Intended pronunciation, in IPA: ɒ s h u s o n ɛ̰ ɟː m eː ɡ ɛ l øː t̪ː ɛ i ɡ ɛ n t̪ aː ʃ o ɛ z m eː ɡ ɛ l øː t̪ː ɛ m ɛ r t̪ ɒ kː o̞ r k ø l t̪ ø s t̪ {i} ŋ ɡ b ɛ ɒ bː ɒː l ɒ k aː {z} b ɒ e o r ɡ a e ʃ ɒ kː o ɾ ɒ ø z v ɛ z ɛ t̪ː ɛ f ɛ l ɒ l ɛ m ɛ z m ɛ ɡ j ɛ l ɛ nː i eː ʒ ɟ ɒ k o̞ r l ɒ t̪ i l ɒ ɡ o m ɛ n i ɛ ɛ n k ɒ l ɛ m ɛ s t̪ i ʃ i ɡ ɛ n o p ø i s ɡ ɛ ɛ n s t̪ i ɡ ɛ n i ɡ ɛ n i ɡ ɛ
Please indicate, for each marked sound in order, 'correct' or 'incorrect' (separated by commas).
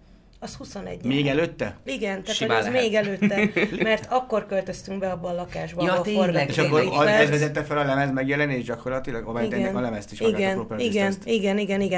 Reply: incorrect, incorrect